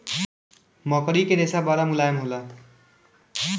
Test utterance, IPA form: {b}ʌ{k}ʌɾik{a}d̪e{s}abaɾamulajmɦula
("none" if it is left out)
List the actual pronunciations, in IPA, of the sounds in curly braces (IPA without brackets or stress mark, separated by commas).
m, k, e, s